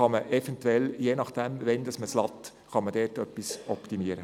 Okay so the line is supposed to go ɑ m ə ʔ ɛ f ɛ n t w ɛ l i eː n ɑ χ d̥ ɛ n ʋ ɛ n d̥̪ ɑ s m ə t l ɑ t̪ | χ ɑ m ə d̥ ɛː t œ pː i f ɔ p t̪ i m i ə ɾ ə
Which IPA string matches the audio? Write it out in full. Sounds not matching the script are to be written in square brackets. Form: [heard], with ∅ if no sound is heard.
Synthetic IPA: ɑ m ə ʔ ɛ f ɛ n t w ɛ l [j] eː n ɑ χ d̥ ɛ [m] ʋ ɛ n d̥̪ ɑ s m ə [s] l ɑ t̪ | χ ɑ m ə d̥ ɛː t œ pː i [s] ɔ p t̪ i m i ə ɾ ə